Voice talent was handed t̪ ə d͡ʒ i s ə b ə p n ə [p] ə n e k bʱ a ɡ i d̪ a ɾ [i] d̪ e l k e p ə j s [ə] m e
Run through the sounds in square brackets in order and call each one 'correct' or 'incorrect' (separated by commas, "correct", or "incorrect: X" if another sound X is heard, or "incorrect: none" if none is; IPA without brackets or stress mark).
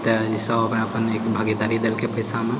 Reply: correct, correct, incorrect: a